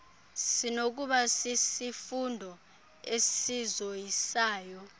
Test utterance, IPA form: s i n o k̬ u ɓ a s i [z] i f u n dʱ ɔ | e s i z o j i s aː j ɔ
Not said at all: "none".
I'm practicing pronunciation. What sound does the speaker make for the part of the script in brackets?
s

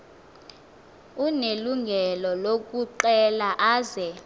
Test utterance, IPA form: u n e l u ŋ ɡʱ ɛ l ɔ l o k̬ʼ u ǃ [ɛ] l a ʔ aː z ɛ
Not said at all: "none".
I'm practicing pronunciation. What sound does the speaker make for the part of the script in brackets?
ɛ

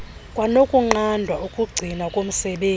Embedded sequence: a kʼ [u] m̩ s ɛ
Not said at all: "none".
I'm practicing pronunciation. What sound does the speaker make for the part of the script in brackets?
o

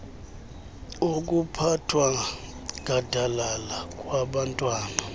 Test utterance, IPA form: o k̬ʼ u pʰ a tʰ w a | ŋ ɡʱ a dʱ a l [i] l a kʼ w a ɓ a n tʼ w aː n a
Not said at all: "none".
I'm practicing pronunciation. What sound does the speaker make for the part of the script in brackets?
a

